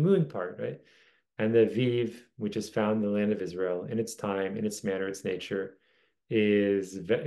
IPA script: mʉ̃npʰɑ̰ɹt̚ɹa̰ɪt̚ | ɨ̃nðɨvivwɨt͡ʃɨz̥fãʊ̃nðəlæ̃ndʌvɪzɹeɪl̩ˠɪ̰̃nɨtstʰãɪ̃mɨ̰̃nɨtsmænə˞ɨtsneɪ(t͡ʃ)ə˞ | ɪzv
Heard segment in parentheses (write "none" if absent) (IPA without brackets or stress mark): t͡ʃ